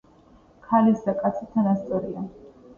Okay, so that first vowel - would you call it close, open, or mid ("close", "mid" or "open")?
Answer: open